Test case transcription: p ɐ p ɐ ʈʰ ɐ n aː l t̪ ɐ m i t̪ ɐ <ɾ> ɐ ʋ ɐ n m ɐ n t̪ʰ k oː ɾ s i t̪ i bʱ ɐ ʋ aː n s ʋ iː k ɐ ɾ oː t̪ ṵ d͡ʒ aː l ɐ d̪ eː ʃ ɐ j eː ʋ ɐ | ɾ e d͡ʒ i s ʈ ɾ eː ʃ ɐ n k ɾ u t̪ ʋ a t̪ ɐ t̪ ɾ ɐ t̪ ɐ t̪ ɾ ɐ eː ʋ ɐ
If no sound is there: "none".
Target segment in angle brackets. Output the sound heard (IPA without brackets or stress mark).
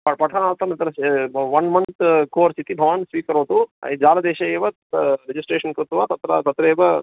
ɾ